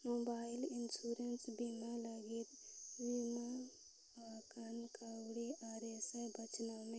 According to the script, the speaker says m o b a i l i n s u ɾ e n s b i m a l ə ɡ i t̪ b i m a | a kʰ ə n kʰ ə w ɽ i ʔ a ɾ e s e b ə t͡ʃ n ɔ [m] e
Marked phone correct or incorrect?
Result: correct